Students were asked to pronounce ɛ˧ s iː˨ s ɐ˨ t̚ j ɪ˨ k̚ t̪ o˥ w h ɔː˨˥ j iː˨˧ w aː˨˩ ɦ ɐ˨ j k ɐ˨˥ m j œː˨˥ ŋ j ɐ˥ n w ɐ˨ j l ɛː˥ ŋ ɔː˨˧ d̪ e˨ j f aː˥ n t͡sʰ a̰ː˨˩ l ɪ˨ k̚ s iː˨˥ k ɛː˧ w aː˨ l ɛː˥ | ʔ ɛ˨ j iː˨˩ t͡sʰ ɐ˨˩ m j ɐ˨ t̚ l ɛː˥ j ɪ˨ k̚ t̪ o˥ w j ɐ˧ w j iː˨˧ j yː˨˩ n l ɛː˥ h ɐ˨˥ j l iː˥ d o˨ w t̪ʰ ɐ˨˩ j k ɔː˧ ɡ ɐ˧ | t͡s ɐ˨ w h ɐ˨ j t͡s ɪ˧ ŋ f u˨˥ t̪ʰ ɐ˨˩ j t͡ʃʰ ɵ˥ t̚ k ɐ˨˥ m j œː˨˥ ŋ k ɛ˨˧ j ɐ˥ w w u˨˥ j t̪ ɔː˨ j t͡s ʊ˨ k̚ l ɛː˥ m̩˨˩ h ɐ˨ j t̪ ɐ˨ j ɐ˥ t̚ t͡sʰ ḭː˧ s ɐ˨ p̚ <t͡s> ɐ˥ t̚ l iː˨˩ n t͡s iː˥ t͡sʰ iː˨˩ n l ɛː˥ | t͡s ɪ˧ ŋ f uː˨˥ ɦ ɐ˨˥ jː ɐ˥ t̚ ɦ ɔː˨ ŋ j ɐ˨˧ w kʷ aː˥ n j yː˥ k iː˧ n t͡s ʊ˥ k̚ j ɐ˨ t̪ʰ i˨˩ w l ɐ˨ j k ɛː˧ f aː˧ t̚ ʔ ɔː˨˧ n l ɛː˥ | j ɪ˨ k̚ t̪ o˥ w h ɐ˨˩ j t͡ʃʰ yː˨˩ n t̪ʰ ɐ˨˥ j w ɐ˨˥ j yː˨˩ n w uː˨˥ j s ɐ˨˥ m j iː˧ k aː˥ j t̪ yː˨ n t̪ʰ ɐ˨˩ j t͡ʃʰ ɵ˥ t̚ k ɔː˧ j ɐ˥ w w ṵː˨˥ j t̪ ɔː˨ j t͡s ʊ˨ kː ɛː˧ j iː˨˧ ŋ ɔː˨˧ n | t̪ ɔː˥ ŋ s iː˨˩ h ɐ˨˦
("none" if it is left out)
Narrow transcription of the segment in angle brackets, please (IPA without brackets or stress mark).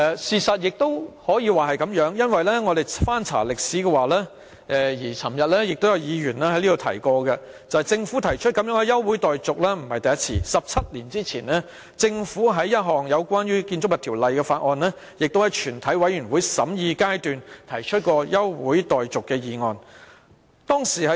t͡sʰ